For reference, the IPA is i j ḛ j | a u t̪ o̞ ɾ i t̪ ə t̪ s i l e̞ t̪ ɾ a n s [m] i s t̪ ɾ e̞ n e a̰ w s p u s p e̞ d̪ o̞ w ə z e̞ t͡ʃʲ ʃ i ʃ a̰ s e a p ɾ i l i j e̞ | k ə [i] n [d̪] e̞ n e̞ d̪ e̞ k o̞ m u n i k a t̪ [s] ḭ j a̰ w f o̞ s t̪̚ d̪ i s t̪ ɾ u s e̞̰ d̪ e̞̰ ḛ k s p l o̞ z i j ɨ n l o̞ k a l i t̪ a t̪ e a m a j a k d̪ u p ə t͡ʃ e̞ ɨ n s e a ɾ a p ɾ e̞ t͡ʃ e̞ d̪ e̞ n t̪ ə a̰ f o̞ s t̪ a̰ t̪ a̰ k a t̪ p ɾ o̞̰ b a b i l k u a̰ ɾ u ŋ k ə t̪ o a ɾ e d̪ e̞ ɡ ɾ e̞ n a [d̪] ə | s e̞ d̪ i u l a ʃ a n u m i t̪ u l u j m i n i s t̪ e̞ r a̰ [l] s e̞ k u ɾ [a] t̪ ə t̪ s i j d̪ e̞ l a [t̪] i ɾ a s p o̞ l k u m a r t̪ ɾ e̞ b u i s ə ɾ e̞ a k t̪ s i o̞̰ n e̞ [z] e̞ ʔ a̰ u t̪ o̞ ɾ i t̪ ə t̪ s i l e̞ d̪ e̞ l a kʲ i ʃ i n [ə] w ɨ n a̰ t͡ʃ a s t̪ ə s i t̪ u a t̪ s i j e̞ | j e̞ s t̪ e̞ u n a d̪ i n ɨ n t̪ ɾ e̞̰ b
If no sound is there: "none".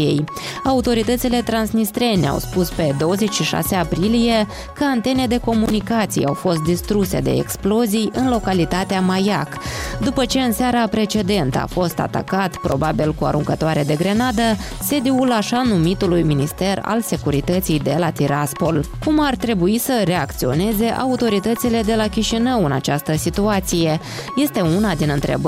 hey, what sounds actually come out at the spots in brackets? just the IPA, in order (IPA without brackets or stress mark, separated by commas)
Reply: n, a, t̪, s, d̪, l, i, t̪, z, ə